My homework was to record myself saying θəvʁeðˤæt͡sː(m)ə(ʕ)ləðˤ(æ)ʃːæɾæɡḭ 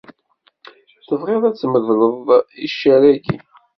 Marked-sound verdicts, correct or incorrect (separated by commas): correct, incorrect, incorrect